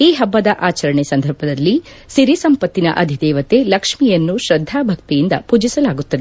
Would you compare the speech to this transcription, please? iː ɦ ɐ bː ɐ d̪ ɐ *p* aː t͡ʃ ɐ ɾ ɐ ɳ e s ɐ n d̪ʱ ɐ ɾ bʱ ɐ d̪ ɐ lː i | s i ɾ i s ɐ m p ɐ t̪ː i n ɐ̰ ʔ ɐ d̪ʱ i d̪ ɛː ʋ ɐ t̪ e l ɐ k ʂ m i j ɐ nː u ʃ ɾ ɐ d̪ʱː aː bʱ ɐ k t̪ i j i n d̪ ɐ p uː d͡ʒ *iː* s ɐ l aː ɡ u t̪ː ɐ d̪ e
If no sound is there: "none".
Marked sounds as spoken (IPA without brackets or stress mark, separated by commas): ʔ, i